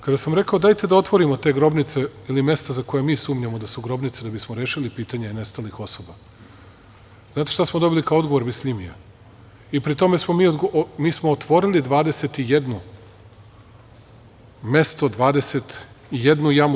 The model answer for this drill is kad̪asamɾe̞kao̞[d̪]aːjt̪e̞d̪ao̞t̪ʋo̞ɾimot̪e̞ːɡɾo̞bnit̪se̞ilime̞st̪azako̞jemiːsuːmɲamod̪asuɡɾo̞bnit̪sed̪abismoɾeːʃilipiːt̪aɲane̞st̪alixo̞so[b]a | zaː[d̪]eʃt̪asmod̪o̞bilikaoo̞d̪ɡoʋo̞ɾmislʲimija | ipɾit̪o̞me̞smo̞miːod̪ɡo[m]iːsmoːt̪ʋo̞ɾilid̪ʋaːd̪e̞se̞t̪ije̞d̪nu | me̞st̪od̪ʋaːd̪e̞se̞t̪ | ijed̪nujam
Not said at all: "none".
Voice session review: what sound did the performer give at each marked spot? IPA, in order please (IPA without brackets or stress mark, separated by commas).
d̪, b, t̪, m